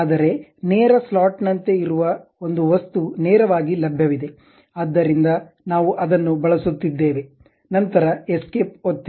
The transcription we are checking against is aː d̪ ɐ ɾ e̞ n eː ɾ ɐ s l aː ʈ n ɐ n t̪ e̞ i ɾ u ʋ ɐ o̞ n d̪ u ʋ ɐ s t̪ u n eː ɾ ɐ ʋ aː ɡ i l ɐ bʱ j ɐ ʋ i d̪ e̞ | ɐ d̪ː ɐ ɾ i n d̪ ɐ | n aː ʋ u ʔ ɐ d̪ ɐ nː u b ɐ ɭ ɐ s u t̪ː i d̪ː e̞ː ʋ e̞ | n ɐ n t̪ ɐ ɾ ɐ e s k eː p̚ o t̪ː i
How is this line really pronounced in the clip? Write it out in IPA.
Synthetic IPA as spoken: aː d̪ ɐ ɾ e̞ n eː ɾ ɐ s l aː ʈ n ɐ n t̪ e̞ i ɾ u ʋ ɐ o̞ n d̪ u ʋ ɐ s t̪ u n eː ɾ ɐ ʋ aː ɡ i l ɐ bʱ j ɐ ʋ i d̪ e̞ | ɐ d̪ː ɐ ɾ i n d̪ ɐ | n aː ʋ u ʔ ɐ d̪ ɐ nː u b ɐ ɭ ɐ s u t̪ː i d̪ː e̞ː ʋ e̞ | n ɐ n t̪ ɐ ɾ ɐ e s k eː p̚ o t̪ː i